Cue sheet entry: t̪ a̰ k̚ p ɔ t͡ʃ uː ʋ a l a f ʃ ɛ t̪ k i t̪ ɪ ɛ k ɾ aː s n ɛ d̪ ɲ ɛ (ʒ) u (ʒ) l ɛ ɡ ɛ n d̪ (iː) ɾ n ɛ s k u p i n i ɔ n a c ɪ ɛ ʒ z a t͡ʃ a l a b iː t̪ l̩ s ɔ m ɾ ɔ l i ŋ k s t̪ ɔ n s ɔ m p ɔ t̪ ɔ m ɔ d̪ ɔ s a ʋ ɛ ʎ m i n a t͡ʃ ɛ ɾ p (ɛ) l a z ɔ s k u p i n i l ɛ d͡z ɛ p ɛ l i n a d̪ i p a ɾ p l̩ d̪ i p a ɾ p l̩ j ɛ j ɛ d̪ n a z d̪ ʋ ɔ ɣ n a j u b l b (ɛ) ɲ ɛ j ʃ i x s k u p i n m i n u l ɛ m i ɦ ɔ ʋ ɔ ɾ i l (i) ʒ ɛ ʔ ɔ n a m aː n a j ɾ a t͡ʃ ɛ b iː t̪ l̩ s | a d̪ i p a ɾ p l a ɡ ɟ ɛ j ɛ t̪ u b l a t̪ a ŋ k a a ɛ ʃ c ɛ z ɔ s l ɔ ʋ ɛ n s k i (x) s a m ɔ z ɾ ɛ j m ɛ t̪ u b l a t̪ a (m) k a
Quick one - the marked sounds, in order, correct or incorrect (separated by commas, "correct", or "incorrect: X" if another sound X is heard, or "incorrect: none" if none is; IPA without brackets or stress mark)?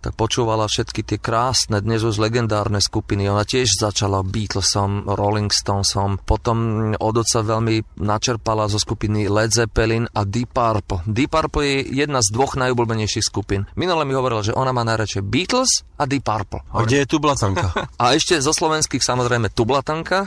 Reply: incorrect: z, correct, incorrect: aː, incorrect: a, correct, incorrect: a, correct, incorrect: ŋ